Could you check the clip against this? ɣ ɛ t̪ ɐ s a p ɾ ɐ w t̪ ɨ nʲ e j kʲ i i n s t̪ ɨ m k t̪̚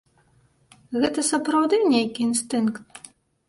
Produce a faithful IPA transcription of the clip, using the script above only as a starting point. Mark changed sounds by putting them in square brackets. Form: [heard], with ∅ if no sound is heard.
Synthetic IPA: ɣ ɛ t̪ ɐ s [ɐ] p ɾ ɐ w [d̪] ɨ nʲ e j kʲ i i n s t̪ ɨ [n] k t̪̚